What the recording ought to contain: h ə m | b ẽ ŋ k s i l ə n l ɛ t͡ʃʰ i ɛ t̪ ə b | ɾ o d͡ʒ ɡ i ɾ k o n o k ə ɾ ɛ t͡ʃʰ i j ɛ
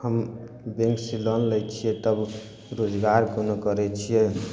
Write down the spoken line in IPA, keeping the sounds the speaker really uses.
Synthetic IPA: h ə m | b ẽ ŋ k s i l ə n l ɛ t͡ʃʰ i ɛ t̪ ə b | ɾ o d͡ʒ ɡ a ɾ k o n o k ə ɾ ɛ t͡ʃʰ i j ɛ

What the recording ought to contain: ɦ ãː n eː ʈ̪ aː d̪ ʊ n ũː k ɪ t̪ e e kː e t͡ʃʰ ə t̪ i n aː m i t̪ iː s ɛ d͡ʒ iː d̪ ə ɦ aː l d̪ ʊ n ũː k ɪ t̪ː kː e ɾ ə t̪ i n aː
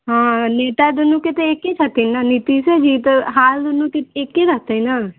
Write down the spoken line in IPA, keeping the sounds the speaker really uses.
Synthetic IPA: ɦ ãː n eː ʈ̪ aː d̪ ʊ n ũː k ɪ t̪ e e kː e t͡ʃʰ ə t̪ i n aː n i t̪ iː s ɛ d͡ʒ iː t̪ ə ɦ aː l d̪ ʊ n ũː k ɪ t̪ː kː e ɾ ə t̪ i n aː

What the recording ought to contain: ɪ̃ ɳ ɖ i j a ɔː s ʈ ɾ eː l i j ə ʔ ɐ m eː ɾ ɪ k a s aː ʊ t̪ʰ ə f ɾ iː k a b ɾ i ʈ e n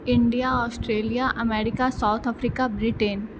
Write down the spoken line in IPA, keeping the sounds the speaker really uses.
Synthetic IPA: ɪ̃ ɳ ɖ i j a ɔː s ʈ ɾ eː l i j a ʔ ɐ m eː ɾ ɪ k a s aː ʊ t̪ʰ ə f ɾ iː k a b ɾ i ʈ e n

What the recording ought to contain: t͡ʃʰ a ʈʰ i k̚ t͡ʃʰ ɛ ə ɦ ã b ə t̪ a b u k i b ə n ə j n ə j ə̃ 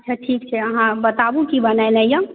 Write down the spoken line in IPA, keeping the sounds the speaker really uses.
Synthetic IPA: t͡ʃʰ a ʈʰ i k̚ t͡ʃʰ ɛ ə ɦ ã b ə t̪ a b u k i b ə n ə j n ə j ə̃

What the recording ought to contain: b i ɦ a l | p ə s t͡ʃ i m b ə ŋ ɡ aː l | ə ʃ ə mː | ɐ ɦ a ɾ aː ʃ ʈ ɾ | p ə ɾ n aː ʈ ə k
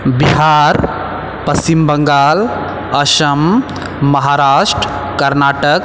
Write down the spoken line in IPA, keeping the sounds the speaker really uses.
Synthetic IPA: b i ɦ a ɾ | p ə s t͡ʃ i m b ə ŋ ɡ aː l | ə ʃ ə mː | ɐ ɦ a ɾ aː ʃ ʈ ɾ | k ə ɾ n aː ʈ ə k

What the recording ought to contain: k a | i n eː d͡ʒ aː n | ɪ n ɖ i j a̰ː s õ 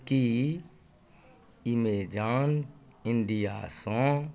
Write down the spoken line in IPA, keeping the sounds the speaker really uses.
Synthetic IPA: k i | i m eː d͡ʒ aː n | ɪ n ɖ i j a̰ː s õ

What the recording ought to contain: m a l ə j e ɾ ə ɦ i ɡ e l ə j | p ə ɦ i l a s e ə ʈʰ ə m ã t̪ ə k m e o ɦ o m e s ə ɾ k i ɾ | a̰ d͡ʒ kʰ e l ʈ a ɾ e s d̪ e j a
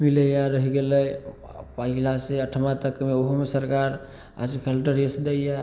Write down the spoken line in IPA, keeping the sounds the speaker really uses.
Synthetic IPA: m i l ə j a ɾ ə ɦ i ɡ e l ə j | p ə ɦ i l a s e ə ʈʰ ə m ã t̪ ə k m e o ɦ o m e s ə ɾ k a ɾ | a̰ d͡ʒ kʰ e l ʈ ə ɾ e s d̪ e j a

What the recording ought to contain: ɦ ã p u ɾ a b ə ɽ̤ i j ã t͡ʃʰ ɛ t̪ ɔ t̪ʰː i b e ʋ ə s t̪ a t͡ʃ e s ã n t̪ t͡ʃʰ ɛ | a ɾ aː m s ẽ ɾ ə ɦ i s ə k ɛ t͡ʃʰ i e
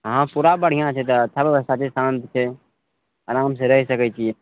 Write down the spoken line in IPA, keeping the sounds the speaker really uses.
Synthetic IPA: ɦ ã p u ɾ a b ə ɽ̤ i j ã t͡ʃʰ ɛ t̪ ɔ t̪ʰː a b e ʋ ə s t̪ a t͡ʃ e s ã n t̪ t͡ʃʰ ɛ | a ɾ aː m s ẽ ɾ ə ɦ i s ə k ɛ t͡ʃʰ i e

